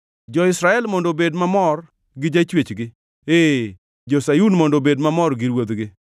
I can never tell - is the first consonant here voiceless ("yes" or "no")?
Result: no